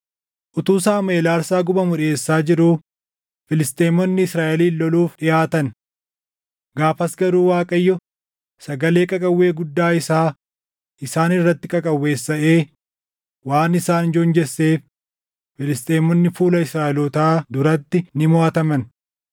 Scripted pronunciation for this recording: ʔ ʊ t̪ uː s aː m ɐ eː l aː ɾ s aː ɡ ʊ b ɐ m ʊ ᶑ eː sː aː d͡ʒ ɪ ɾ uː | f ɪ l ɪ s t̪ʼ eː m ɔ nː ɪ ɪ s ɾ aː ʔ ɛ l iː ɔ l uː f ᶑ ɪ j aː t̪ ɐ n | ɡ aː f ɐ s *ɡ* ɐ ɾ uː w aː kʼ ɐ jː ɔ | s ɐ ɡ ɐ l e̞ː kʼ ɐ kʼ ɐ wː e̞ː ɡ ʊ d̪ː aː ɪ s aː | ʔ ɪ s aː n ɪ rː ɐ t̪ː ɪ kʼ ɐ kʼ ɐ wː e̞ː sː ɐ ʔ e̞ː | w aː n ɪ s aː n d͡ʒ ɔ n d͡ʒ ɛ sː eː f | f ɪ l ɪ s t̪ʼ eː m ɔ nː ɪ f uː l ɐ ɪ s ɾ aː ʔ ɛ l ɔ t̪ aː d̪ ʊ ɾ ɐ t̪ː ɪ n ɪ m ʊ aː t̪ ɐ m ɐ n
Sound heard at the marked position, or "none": ɡ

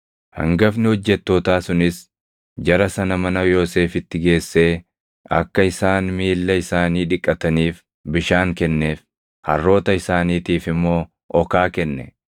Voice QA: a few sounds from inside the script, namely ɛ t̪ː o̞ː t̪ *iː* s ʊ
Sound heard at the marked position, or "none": aː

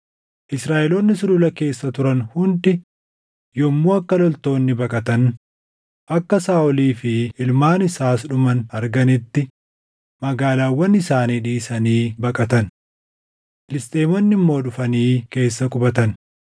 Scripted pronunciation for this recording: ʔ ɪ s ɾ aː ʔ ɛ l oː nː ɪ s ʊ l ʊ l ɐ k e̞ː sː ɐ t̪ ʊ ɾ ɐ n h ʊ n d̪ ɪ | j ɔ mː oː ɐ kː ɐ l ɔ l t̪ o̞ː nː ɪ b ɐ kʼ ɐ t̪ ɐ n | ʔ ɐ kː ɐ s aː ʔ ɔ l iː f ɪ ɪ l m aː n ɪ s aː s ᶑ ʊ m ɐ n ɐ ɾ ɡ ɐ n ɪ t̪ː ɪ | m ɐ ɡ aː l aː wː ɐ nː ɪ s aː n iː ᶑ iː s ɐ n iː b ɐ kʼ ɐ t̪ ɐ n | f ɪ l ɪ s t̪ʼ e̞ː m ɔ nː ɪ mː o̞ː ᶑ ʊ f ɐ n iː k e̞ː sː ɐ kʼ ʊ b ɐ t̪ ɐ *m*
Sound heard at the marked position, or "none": n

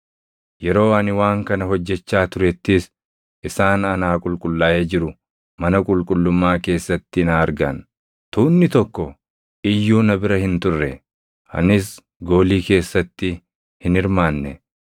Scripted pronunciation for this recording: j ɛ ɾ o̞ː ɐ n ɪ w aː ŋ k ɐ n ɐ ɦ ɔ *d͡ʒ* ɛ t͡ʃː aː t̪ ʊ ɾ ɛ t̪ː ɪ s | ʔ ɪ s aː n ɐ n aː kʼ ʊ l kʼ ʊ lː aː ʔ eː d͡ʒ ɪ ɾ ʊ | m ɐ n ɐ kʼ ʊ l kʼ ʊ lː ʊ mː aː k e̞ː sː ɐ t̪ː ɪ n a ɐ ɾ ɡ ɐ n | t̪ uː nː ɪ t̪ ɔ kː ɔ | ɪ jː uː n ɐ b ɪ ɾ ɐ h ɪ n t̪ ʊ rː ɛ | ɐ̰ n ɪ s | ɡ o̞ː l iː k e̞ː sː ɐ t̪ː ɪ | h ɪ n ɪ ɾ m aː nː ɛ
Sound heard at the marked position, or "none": d͡ʒː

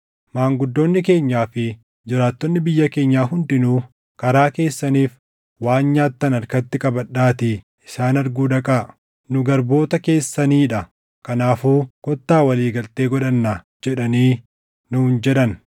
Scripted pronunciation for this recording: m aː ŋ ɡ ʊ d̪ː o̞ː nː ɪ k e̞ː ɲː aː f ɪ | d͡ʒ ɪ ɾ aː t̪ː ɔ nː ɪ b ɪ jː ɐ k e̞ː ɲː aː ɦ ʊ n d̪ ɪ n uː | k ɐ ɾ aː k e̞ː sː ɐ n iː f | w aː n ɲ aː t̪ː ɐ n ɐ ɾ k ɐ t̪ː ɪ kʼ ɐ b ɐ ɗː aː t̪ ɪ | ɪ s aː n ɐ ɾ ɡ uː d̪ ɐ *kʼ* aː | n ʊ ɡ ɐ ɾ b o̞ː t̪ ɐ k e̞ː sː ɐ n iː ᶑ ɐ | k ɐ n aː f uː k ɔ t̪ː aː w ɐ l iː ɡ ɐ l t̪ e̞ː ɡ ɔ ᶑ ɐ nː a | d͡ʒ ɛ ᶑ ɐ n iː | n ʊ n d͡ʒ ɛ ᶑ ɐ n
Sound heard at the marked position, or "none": kʼ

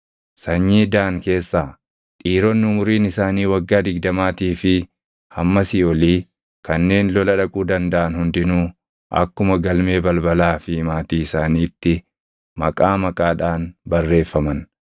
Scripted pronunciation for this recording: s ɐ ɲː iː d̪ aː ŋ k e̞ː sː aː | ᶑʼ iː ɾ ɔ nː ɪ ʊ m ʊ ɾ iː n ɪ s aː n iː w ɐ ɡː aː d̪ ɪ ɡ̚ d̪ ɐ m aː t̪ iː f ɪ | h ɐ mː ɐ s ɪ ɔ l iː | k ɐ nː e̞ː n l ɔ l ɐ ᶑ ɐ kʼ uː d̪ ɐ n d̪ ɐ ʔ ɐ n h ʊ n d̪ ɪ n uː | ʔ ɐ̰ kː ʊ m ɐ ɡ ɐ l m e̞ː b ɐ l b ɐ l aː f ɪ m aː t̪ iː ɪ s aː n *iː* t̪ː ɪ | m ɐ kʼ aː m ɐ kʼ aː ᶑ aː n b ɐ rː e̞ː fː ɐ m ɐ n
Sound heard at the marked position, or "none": iː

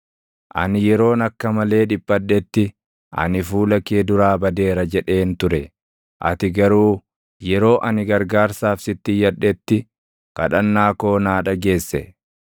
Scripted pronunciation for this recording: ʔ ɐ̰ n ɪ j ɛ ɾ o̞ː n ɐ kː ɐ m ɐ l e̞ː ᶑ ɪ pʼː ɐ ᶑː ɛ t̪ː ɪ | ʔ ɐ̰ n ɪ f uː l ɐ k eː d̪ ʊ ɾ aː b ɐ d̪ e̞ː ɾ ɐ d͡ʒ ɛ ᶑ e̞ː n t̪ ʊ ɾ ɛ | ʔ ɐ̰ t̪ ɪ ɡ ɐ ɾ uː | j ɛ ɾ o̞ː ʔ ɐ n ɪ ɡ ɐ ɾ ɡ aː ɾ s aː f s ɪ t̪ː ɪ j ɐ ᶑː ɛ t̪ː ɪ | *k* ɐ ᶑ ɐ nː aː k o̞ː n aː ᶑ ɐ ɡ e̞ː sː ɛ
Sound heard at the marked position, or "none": k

